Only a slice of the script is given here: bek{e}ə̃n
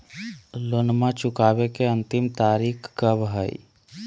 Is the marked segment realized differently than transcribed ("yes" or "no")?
no